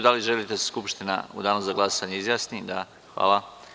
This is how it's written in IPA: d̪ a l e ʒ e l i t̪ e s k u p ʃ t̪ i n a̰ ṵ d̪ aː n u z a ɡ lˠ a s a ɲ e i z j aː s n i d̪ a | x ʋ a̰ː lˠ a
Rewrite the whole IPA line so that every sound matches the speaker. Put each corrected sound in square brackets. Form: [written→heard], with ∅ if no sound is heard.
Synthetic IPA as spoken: d̪ a l [e→i] ʒ e l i t̪ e s k u p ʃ t̪ i n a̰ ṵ d̪ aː n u z a ɡ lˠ a s a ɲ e i z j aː s n i d̪ a | x ʋ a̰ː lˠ a